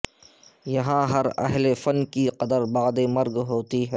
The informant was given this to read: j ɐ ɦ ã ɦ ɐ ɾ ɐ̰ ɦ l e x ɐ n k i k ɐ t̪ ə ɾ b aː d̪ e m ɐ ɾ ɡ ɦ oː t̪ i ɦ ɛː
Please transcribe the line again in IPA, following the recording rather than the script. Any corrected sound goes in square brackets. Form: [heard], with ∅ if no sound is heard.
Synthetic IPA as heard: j ɐ ɦ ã ɦ ɐ ɾ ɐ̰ ɦ l e [f] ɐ n k i [q] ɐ [d̪] ə ɾ b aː d̪ e m ɐ ɾ ɡ ɦ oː t̪ i ɦ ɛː